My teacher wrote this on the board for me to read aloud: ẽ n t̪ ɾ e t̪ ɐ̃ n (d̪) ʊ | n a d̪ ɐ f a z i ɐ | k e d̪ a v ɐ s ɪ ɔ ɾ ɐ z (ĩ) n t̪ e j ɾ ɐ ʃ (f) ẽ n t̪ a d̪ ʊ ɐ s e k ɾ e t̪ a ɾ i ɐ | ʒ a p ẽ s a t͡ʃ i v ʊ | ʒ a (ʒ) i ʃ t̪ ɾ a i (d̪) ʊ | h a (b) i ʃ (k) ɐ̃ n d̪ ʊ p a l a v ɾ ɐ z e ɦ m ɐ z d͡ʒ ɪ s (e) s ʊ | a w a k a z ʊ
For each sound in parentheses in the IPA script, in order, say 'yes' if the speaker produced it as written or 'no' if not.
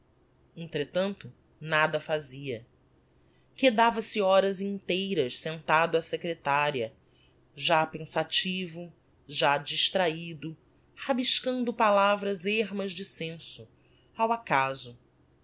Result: no, yes, no, no, yes, yes, yes, no

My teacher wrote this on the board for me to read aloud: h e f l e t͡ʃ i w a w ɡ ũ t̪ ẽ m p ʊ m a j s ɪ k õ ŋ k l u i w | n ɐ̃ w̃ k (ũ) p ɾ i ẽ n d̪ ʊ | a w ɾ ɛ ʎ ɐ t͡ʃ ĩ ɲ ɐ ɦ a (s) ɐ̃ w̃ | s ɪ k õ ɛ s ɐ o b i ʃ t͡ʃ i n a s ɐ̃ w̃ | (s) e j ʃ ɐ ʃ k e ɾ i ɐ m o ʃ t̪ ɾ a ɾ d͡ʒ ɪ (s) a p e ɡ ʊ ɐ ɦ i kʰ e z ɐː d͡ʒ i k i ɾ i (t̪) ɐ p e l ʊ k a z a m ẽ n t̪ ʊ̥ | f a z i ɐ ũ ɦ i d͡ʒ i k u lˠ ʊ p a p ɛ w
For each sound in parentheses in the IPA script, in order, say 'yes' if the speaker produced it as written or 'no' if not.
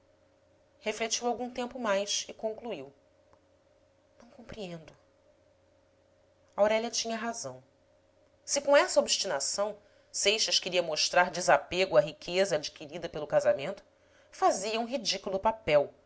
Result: no, no, yes, no, no

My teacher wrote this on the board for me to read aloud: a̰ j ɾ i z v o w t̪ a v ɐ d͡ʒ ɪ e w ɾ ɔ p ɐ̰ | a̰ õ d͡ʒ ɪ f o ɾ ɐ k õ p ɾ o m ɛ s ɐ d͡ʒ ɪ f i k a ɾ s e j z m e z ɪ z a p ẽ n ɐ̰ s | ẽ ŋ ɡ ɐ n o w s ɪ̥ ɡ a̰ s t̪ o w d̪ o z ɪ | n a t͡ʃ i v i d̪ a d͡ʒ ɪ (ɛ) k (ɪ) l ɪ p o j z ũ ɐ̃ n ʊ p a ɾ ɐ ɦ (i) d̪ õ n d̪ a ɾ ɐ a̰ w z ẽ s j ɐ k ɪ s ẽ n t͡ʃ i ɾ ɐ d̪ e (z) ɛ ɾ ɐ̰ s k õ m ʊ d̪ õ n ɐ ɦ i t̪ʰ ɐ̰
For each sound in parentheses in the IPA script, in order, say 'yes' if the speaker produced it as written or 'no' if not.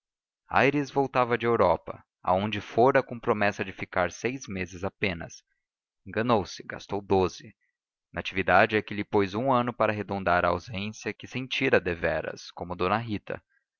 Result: yes, yes, no, no

